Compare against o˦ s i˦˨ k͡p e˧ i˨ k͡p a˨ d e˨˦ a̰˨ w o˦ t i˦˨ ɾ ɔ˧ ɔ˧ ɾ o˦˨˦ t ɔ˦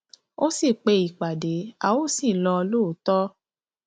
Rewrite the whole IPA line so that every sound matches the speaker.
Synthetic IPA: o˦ s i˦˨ k͡p e˧ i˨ k͡p a˨ d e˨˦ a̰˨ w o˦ s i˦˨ l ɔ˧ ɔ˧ l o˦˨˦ t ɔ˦